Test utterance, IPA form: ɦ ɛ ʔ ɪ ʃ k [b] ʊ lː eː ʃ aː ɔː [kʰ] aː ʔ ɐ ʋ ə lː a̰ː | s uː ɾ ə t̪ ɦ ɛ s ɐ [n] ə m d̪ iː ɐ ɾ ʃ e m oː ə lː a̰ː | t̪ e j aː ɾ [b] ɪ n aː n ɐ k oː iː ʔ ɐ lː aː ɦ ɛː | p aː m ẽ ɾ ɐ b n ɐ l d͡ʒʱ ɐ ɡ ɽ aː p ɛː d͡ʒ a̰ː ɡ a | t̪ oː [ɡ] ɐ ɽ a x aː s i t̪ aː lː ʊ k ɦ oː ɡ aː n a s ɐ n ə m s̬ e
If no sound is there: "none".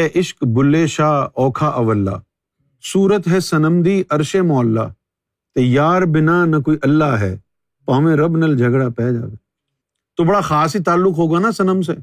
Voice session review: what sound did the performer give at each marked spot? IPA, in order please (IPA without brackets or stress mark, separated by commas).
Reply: b, kʰ, n, b, b